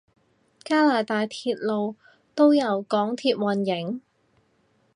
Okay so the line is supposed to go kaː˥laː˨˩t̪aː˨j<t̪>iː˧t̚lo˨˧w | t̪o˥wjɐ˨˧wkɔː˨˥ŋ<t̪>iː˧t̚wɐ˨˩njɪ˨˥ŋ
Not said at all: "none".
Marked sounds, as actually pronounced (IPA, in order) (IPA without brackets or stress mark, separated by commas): t̪ʰ, t̪ʰ